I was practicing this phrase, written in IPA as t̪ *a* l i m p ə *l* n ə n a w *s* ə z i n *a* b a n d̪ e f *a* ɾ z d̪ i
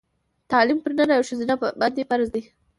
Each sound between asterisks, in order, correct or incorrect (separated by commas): incorrect, incorrect, incorrect, correct, correct